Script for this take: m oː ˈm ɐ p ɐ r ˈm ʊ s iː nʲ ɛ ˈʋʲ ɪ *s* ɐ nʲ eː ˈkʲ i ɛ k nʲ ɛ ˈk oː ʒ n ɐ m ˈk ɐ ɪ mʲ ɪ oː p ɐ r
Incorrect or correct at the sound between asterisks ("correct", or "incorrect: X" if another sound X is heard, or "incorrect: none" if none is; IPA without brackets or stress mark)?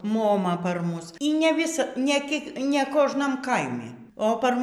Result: correct